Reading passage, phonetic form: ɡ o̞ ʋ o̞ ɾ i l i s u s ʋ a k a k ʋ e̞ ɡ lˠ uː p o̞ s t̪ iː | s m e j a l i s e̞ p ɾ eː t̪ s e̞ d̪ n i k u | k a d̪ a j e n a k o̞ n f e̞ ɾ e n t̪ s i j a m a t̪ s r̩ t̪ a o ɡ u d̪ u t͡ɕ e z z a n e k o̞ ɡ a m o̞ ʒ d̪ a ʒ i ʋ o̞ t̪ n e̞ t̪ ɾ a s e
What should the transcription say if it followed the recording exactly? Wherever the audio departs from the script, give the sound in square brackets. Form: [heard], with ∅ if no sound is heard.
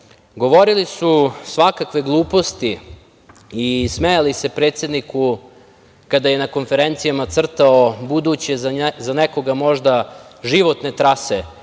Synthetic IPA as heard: ɡ o̞ ʋ o̞ ɾ i l i s u s ʋ a k a k ʋ e̞ ɡ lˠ uː p o̞ s t̪ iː | s m e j a l i s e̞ p ɾ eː t̪ s e̞ d̪ n i k u | k a d̪ a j e n a k o̞ n f e̞ ɾ e n t̪ s i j a m a t̪ s r̩ t̪ a o [b] u d̪ u t͡ɕ e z z a n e k o̞ ɡ a m o̞ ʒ d̪ a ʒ i ʋ o̞ t̪ n e̞ t̪ ɾ a s e

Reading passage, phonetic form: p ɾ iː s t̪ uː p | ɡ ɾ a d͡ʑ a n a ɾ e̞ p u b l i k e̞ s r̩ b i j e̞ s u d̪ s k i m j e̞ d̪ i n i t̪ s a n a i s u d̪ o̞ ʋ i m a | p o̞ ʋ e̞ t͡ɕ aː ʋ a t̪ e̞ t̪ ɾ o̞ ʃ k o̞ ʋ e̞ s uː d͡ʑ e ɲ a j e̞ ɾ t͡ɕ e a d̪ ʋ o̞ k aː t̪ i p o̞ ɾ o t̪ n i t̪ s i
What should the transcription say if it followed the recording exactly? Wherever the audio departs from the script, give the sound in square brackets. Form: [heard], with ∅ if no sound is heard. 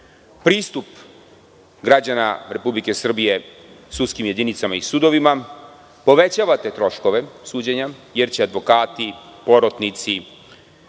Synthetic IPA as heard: p ɾ iː s t̪ [u] p | ɡ ɾ a d͡ʑ a n a ɾ e̞ p u b l i k e̞ s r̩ b i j e̞ s u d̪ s k i m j e̞ d̪ i n i t̪ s a [m] a i s u d̪ o̞ ʋ i m a | p o̞ ʋ e̞ t͡ɕ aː ʋ a t̪ e̞ t̪ ɾ o̞ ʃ k o̞ ʋ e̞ s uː d͡ʑ e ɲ a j e̞ ɾ t͡ɕ e a d̪ ʋ o̞ k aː t̪ i p o̞ ɾ o t̪ n i t̪ s i

